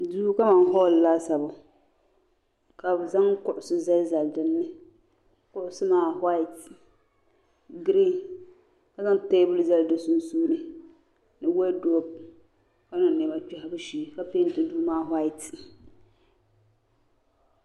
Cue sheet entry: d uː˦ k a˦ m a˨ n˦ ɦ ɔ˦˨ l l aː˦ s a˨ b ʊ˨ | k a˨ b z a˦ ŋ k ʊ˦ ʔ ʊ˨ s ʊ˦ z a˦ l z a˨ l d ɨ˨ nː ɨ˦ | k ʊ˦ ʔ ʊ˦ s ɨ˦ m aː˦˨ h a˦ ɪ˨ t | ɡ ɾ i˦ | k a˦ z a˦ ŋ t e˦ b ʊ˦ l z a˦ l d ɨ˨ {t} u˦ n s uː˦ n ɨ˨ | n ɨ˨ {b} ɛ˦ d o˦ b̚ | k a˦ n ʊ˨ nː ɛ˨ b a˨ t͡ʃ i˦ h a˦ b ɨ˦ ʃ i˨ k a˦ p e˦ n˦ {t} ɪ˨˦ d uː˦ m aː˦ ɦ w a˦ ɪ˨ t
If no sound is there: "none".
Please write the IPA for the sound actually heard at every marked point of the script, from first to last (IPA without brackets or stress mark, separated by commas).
s, w, t